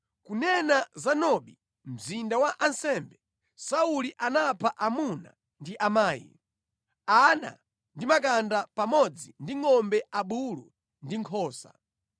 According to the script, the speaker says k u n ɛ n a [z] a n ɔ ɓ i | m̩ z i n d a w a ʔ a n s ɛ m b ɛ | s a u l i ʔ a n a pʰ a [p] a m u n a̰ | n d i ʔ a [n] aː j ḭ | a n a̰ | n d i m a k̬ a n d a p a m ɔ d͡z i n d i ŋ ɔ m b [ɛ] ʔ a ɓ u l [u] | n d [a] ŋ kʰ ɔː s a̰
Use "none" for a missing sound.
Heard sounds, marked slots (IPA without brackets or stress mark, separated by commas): z, ʔ, m, ɛ, u, i